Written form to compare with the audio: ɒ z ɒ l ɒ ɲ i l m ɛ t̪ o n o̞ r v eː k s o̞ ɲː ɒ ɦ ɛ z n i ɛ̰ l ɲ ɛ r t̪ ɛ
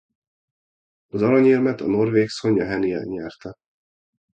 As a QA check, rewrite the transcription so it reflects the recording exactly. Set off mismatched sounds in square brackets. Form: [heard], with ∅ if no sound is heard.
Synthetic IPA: ɒ z ɒ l ɒ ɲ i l m ɛ t̪ [ɒ] n o̞ r v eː k s o̞ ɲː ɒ ɦ ɛ [∅] n i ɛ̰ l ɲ ɛ r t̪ ɛ

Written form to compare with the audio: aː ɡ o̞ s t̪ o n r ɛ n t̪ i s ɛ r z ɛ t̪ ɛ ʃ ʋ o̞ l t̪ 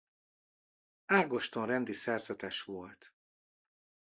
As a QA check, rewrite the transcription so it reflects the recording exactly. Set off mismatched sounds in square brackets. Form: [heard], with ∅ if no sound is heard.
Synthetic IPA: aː ɡ o̞ [ʃ] t̪ o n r ɛ n [d̪] i s ɛ r z ɛ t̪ ɛ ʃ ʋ o̞ l t̪

